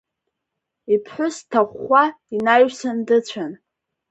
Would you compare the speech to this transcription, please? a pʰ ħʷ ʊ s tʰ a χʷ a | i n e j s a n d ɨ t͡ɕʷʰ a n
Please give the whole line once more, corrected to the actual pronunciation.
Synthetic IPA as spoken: i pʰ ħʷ ʊ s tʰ a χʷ a | i n a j s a n d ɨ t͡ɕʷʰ a n

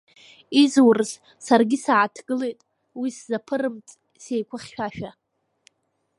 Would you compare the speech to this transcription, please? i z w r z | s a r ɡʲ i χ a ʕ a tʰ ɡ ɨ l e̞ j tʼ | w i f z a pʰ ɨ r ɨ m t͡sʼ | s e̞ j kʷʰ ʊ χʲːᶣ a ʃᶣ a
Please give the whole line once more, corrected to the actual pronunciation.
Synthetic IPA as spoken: i z w r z | s a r ɡʲ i s a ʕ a tʰ ɡ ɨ l e̞ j tʼ | w i s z a pʰ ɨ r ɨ m t͡sʼ | s e̞ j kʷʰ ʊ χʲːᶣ a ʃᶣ a

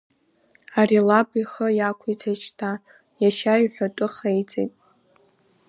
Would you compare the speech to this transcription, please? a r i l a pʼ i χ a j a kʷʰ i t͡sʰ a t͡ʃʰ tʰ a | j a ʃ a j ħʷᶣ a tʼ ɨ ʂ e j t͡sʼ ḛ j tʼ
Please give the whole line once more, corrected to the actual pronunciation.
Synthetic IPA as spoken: a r i l a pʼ i χ ə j a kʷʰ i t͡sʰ a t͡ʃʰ tʰ a | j a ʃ a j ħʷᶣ a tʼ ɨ χ e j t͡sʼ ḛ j tʼ

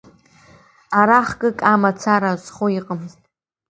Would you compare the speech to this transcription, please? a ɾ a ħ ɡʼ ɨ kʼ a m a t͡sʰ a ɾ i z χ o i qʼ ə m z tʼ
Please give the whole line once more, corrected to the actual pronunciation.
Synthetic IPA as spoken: a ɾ a χ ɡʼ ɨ kʼ a m a t͡sʰ a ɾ a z χ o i qʼ ə m z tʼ

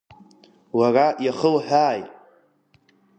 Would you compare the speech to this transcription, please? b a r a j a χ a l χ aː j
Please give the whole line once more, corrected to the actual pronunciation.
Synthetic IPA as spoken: w a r a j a χ ə l ħ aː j

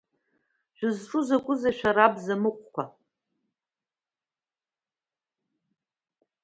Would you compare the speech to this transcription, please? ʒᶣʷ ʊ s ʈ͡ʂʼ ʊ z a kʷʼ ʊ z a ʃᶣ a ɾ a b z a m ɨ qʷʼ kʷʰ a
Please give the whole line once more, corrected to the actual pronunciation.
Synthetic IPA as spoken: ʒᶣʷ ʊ z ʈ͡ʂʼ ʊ z a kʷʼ ʊ z a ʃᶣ a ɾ a b z a m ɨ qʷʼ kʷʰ a

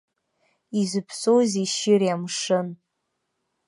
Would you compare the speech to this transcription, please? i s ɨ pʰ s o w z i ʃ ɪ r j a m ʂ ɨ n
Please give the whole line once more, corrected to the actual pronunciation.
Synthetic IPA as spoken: i z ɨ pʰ s o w z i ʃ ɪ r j a m ʂ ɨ n

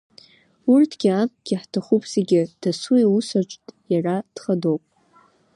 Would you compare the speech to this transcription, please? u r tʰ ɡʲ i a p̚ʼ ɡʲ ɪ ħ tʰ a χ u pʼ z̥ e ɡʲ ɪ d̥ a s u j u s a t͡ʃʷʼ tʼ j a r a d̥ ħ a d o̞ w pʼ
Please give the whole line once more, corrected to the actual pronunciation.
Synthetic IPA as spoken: u r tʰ ɡʲ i a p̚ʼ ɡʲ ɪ ħ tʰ a χ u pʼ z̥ e ɡʲ ɪ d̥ a s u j u s a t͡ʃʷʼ tʼ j a r a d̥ χ a d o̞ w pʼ

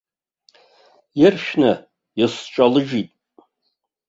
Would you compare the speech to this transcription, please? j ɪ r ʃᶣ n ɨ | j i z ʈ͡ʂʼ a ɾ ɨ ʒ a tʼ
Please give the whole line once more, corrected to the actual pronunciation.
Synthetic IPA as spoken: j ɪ r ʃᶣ n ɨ | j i s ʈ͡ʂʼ a l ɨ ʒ i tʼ

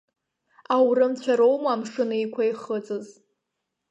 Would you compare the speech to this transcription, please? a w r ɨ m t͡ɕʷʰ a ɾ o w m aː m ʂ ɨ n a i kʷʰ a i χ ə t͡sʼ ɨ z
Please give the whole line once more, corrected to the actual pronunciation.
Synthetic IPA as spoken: a w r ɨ m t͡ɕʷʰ a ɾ o w m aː m ʂ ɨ n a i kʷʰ a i χ ə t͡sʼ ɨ z

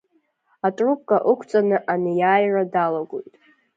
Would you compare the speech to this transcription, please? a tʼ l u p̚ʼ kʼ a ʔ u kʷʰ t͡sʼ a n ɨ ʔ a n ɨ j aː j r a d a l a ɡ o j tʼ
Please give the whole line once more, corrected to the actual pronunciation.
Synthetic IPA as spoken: a tʼ r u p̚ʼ kʼ a ʔ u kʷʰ t͡sʼ a n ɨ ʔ a n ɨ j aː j r a d a l a ɡ o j tʼ

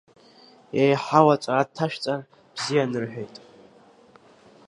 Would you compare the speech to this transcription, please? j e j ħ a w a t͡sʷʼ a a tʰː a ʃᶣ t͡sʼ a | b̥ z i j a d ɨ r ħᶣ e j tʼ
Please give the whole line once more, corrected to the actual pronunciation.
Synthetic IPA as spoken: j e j ħ a w a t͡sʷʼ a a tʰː a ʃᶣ t͡sʼ a | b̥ z i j a n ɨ r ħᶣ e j tʼ

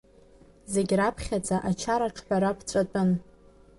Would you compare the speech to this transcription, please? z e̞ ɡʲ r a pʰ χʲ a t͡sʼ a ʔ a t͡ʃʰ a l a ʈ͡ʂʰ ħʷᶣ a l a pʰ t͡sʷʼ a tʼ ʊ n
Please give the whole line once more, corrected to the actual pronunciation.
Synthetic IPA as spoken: z e̞ ɡʲ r a pʰ χʲ a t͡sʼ a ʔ a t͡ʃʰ a ɾ a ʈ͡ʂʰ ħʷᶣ a ɾ a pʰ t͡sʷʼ a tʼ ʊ n

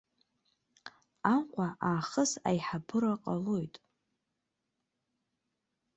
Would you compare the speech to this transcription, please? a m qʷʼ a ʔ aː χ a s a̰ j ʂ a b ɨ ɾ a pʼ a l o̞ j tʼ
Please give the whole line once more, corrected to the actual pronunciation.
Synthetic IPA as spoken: a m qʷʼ a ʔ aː χ ə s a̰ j ħ a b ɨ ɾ a qʼ a l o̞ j tʼ

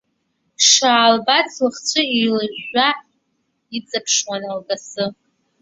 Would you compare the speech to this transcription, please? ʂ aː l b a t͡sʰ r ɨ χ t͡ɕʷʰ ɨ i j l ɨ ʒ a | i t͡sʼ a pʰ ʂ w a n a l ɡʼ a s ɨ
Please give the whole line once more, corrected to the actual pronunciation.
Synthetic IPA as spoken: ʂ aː l b a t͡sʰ l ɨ χ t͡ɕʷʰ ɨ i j l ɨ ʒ a | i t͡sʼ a pʰ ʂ w a n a l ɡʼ a s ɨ

